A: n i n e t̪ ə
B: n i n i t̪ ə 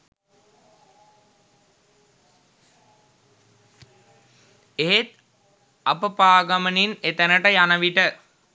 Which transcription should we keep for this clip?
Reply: A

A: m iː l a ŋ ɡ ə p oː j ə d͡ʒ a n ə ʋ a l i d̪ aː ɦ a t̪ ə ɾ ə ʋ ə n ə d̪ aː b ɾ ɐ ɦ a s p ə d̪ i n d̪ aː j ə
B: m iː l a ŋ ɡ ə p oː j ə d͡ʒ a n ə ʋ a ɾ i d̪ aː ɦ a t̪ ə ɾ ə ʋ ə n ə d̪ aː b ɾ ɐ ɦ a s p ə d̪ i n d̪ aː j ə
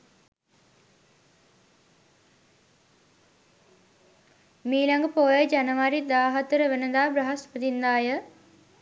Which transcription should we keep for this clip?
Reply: B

